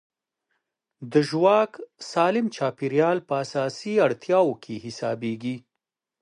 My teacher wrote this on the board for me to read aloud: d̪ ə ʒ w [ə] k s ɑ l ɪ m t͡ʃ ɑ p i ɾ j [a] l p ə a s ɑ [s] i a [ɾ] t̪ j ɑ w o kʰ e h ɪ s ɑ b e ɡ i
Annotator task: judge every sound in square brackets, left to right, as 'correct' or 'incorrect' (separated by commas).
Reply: incorrect, incorrect, correct, incorrect